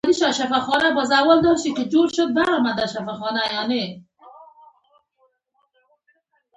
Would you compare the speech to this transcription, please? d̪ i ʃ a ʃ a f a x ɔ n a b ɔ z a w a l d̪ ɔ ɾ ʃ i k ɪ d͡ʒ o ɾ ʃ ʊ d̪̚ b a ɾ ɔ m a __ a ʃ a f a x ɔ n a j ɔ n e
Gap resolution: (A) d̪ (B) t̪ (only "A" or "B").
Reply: A